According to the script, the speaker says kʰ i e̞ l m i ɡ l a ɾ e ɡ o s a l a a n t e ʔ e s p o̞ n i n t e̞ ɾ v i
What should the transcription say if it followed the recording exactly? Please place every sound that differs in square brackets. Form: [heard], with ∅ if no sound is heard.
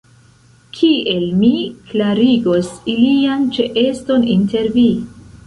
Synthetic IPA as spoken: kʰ i e̞ l m i [k] l a ɾ [i] ɡ o s [i] l [i] a n [t͡ʃ] e ʔ e s [t] o̞ n i n t e̞ ɾ v i